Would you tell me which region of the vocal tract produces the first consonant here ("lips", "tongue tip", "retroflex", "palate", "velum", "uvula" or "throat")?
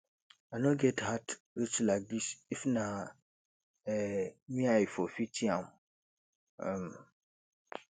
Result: tongue tip